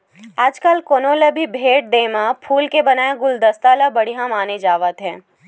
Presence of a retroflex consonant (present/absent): present